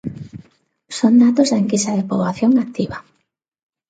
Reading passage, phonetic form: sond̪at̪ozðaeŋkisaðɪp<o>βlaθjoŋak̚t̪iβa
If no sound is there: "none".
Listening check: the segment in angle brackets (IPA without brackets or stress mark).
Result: o